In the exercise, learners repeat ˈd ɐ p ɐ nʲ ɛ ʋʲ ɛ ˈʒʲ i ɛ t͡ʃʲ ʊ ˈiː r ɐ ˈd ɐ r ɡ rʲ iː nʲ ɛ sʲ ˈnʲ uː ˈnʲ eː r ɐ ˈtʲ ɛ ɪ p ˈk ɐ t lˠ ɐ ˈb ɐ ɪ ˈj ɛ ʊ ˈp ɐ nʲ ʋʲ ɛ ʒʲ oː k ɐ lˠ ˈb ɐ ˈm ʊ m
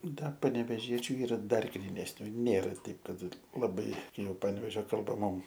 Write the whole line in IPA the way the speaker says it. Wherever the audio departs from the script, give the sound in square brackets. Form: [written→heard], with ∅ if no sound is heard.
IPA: ˈd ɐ p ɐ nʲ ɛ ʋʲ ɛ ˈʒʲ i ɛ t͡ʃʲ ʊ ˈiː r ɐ ˈd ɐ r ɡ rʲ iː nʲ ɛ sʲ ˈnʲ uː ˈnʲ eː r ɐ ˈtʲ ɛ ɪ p ˈk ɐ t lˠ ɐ ˈb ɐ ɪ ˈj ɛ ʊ ˈp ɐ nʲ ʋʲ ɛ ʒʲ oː k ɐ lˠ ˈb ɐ ˈm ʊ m